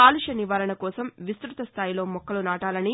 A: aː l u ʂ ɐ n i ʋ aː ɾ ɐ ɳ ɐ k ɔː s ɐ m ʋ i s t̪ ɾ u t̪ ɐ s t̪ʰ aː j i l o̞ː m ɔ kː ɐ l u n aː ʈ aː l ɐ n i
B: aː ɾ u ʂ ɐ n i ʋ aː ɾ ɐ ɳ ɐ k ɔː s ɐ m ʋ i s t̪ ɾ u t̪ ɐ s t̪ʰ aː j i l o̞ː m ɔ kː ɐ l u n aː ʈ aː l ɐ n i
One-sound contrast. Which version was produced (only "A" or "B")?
A